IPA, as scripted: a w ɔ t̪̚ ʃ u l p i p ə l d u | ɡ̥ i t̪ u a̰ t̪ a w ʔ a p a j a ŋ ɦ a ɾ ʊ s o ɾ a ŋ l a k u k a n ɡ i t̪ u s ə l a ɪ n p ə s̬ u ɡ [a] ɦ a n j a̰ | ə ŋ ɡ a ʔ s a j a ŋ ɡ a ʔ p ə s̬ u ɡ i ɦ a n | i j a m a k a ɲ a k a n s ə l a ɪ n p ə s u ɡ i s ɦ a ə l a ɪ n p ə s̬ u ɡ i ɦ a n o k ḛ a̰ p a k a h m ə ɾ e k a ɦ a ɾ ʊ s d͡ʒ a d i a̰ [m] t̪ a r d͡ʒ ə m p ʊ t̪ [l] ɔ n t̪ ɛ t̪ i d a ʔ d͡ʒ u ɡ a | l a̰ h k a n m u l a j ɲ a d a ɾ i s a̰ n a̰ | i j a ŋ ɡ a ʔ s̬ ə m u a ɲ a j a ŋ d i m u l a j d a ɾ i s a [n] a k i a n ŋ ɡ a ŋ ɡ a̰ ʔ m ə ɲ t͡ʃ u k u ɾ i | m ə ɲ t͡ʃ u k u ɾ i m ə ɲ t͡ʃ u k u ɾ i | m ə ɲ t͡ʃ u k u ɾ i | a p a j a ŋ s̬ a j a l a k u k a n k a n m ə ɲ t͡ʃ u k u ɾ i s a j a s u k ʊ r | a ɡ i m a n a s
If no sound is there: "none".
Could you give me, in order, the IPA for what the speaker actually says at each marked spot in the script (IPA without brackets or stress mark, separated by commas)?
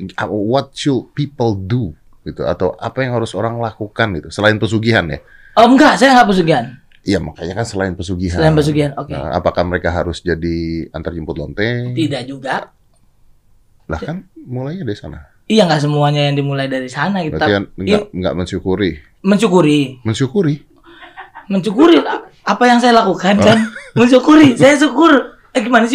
i, n, l, n